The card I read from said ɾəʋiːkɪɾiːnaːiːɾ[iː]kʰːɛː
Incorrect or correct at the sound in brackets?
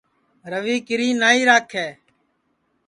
incorrect: aː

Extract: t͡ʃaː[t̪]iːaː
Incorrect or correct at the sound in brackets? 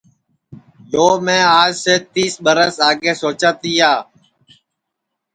correct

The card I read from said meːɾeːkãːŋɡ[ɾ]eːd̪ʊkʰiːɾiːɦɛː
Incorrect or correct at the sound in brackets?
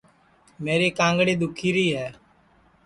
incorrect: ɽ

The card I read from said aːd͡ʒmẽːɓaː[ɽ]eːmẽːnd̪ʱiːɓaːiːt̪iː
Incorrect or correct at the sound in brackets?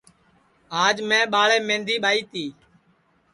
incorrect: ɭ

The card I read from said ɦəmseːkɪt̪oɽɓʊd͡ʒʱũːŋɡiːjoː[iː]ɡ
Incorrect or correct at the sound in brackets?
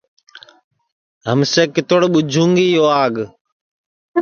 incorrect: aː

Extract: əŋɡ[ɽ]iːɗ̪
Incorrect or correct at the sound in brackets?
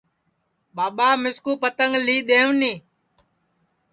incorrect: l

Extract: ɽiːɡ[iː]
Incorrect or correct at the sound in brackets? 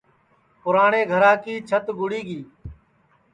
correct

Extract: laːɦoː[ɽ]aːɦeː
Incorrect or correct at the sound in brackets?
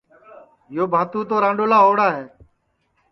correct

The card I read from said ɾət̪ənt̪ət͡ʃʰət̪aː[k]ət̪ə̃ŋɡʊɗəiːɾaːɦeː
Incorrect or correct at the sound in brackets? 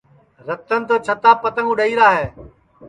incorrect: p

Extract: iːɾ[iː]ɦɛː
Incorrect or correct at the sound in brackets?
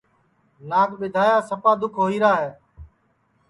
incorrect: aː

